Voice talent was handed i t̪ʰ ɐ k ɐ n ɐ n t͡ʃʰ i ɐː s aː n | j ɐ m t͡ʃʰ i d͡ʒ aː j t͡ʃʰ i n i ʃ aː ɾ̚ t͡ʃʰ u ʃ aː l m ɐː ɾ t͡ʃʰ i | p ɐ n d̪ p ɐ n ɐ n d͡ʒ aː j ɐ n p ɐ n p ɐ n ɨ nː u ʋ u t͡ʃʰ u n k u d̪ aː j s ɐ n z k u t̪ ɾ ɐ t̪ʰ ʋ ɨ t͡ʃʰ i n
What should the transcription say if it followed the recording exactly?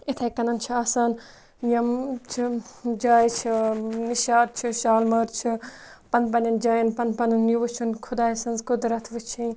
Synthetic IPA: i t̪ʰ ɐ k ɐ n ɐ n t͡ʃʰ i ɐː s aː n | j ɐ m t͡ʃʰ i d͡ʒ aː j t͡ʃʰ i n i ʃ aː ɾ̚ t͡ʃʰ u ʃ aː l m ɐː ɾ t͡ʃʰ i | p ɐ n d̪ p ɐ n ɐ n d͡ʒ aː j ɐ n p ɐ n p ɐ n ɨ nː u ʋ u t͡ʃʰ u n kʰ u d̪ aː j s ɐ n z k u d̪ ɾ ɐ t̪ʰ ʋ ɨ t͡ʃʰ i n

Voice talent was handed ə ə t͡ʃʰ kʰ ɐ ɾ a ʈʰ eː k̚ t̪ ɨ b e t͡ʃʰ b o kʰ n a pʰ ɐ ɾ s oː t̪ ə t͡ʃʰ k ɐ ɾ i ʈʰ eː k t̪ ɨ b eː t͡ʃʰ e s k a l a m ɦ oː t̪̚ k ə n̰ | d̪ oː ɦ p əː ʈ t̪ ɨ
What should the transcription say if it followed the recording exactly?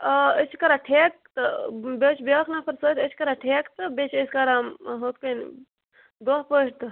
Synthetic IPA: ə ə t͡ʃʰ k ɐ ɾ a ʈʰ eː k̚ t̪ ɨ b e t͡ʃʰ b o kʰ n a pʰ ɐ ɾ s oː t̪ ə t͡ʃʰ k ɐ ɾ a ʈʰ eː k t̪ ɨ b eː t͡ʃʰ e s k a ɾ a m ɦ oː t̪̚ k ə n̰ | d̪ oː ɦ p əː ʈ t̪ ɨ

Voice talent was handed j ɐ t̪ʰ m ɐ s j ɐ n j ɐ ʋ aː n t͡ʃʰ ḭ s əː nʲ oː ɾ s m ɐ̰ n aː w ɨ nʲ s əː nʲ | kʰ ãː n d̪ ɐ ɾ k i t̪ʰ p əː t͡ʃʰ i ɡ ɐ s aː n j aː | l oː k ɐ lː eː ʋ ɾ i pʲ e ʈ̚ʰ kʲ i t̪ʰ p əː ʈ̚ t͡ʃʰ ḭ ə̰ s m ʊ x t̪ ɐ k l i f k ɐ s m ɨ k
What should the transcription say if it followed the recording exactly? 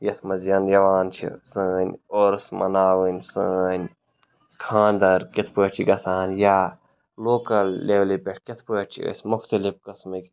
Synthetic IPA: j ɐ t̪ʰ m ɐ z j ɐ n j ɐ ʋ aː n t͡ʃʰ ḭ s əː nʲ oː ɾ s m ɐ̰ n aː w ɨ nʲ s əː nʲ | kʰ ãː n d̪ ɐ ɾ k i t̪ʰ p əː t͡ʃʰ i ɡ ɐ s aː n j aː | l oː k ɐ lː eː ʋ l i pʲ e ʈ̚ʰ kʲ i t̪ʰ p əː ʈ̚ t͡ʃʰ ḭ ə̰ s m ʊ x t̪ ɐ l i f k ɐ s m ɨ k

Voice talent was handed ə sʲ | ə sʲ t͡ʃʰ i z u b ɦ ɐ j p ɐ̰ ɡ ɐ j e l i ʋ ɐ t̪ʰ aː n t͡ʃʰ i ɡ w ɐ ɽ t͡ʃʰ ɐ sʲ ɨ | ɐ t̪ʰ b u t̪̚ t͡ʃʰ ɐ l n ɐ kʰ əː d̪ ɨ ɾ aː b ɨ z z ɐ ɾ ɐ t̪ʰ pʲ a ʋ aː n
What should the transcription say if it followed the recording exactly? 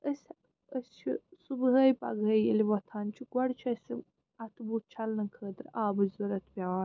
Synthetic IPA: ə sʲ | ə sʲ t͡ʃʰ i s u b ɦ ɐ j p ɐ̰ ɡ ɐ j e l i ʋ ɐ t̪ʰ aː n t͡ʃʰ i ɡ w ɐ ɽ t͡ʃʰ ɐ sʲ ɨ | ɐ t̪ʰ b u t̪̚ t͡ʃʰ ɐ l n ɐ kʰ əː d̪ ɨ ɾ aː b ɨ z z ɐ ɾ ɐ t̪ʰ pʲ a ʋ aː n

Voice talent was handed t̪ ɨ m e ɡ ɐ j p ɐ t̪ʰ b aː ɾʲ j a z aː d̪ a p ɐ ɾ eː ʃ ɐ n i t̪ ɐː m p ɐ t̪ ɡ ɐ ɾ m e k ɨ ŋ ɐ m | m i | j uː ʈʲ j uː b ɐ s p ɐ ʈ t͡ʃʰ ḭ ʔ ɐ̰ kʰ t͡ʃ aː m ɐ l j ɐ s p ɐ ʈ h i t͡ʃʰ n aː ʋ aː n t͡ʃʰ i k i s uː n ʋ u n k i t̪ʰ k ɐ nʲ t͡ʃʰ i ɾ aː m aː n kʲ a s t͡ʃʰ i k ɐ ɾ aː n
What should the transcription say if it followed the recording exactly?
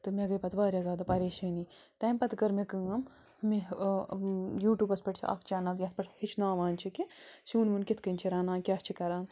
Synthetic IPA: t̪ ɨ m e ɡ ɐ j p ɐ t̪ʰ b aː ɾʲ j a z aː d̪ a p ɐ ɾ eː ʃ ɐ n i t̪ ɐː m p ɐ t̪ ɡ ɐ ɾ m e k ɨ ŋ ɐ m | m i | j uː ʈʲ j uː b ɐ s p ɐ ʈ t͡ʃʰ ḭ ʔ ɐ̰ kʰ t͡ʃ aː n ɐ l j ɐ s p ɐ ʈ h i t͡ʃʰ n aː ʋ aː n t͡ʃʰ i k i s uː n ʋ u n k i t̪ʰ k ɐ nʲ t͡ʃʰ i ɾ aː n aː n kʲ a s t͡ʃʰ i k ɐ ɾ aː n

